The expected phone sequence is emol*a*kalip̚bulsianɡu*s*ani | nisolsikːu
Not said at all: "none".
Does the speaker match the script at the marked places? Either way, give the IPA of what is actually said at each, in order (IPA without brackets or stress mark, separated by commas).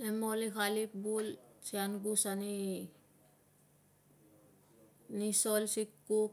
i, s